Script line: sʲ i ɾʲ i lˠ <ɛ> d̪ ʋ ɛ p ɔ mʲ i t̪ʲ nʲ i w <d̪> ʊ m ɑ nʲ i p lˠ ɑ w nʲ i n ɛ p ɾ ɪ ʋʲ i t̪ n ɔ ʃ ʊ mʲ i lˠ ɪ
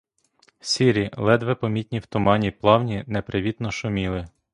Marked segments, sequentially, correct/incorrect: correct, incorrect: t̪

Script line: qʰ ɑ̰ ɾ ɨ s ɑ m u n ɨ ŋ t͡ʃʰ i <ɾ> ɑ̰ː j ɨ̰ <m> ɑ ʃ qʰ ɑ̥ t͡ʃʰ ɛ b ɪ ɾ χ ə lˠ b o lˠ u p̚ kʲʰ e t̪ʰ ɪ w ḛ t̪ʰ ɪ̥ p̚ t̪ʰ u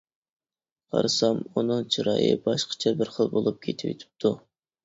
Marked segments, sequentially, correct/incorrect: correct, incorrect: b

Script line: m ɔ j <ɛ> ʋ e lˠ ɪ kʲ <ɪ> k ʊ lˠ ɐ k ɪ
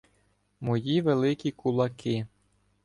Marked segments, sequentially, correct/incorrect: incorrect: i, incorrect: i

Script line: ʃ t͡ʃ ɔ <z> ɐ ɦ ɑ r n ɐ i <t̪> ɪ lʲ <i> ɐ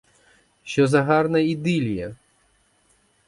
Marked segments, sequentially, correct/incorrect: correct, incorrect: d̪, incorrect: j

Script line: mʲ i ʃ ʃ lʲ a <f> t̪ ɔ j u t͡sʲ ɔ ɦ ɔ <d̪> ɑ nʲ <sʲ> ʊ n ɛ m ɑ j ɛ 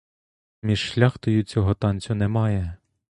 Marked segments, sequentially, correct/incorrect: incorrect: x, incorrect: t̪, incorrect: t͡sʲ

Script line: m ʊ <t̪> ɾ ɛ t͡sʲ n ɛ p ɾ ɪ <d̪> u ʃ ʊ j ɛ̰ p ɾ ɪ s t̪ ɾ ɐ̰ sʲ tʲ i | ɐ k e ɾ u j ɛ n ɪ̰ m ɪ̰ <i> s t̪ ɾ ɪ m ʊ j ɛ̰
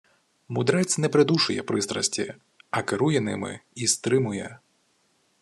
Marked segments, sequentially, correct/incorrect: incorrect: d̪, correct, correct

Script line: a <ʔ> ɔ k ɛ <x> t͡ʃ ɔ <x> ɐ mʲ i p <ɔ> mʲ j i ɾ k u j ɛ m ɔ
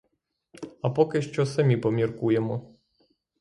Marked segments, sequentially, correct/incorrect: incorrect: p, incorrect: ʃ, incorrect: s, correct

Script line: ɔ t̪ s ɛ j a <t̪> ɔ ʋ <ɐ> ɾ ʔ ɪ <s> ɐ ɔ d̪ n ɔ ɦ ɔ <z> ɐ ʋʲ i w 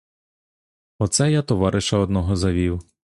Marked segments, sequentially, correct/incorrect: correct, incorrect: ɑ, incorrect: ʃ, correct

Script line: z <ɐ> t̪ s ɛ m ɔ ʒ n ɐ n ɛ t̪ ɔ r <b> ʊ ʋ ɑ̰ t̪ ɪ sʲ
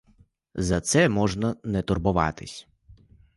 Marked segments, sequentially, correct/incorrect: correct, correct

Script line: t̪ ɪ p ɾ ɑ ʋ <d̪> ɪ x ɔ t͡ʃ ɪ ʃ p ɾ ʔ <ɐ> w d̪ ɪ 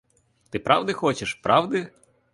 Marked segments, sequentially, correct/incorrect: correct, incorrect: ɑ

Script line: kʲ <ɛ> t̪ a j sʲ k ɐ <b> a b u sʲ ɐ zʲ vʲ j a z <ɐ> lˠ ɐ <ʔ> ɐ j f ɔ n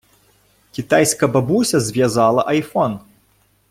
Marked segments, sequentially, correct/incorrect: incorrect: i, correct, incorrect: a, correct

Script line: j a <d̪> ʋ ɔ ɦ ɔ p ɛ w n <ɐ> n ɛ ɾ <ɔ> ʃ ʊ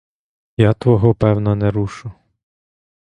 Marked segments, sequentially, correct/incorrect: incorrect: t̪, correct, incorrect: u

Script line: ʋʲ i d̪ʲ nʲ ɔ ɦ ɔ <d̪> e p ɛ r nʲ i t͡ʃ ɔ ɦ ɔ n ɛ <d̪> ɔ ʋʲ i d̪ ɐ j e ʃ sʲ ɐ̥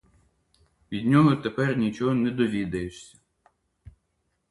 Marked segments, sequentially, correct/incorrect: incorrect: t̪, correct

